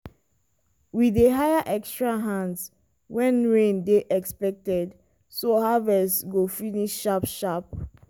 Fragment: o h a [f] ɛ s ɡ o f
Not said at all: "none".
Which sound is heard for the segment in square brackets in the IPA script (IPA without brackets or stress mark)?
v